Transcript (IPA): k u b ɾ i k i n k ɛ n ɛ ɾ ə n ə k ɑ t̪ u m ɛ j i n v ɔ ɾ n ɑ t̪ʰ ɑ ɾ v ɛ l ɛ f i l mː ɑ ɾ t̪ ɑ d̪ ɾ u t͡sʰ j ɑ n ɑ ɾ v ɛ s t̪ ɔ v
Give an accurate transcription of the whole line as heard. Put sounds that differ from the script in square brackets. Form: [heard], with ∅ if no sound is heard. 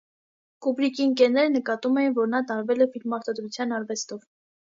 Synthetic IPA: k u b ɾ i k i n k ɛ n ɛ ɾ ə n ə k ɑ t̪ u m ɛ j i n v ɔ ɾ n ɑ [t̪] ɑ ɾ v ɛ l ɛ f i l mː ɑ ɾ t̪ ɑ d̪ ɾ u t͡sʰ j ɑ n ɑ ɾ v ɛ s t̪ ɔ v